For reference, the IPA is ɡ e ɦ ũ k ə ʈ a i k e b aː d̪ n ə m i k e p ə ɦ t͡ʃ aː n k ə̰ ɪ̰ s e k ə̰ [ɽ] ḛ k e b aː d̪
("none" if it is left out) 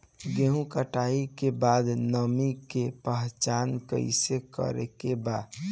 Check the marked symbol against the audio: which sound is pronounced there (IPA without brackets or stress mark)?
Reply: ɾ